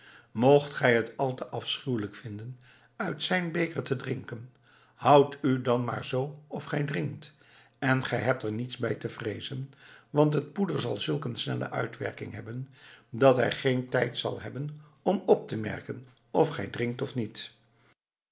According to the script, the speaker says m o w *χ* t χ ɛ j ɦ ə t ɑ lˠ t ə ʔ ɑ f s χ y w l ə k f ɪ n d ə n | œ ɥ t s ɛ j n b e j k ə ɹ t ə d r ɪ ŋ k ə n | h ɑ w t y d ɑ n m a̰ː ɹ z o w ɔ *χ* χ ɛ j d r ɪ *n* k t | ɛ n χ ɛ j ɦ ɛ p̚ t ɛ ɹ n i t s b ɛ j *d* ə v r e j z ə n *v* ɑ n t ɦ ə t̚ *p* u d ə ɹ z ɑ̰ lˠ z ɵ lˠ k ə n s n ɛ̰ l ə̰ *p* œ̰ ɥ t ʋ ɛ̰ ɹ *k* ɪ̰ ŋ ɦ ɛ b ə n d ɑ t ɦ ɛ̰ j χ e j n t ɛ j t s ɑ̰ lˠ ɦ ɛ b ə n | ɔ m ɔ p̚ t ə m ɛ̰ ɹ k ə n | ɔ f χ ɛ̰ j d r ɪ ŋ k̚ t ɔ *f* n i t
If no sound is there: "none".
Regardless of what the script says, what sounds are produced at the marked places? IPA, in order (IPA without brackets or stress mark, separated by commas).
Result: χ, f, ŋ, t, ʋ, p, ʔ, k, f